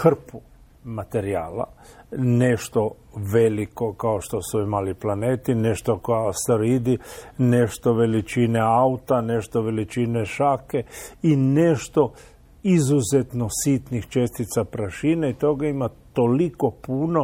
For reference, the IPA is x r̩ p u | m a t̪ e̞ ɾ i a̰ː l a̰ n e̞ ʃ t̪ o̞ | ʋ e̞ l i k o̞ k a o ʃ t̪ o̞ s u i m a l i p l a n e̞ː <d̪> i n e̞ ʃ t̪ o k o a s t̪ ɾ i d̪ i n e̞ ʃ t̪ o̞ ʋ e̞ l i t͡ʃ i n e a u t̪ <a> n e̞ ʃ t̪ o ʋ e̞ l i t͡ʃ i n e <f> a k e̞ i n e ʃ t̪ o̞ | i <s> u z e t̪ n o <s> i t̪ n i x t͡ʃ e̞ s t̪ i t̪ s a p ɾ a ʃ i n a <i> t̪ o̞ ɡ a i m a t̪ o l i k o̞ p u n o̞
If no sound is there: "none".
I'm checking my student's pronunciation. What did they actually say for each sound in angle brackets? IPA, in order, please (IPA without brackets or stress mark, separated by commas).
t̪, a, ʃ, z, s, i